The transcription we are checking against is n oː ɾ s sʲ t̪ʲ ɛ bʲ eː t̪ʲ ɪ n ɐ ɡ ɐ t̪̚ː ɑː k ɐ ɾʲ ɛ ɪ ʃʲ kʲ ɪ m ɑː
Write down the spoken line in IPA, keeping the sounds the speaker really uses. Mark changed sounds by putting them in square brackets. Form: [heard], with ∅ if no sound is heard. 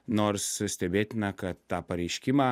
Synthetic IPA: n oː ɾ s sʲ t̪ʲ ɛ bʲ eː t̪ʲ ɪ n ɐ [k] ɐ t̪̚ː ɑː [p] ɐ ɾʲ ɛ ɪ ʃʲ kʲ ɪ m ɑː